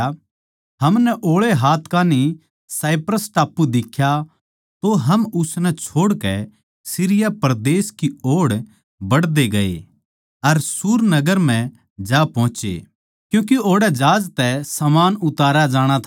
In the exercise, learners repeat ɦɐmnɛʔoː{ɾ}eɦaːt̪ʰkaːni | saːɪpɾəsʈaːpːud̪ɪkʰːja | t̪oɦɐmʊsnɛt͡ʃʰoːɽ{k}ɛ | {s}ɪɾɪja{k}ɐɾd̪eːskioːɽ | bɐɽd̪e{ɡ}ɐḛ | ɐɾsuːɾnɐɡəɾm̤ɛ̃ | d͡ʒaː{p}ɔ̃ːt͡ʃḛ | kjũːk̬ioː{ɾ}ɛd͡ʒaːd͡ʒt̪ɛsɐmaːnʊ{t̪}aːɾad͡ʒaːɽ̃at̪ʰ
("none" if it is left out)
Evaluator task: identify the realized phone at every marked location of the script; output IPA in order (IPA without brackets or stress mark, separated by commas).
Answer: ɭ, k, s, p, ɡ, p, ɽ, t̪